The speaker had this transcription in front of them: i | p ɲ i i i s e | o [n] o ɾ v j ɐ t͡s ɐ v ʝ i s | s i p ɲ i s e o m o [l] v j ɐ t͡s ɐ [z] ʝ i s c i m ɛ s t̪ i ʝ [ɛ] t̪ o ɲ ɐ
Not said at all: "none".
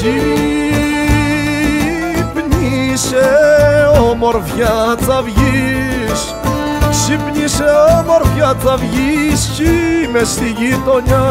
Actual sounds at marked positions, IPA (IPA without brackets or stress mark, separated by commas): m, ɾ, v, i